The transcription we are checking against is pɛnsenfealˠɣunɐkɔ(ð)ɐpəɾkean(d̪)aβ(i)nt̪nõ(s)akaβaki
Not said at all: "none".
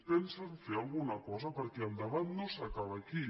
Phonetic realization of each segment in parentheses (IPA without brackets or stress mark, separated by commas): z, d̪, a, s